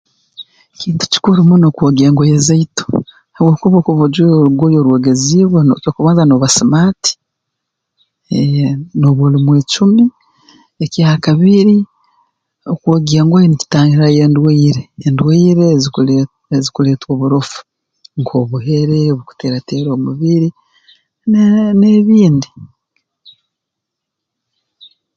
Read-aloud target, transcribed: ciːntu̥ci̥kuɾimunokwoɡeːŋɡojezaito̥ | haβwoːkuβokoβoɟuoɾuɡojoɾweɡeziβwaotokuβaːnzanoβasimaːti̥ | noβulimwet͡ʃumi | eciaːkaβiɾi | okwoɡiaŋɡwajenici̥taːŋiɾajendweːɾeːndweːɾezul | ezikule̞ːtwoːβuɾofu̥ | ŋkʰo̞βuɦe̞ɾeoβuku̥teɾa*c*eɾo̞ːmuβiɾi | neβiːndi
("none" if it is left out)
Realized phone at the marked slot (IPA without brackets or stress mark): t